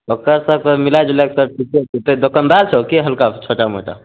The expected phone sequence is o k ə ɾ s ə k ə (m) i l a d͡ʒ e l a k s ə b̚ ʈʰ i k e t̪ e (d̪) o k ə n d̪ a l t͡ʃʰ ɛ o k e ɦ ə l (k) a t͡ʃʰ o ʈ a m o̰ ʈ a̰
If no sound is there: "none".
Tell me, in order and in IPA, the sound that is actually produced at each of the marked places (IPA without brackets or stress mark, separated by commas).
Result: m, d̪, k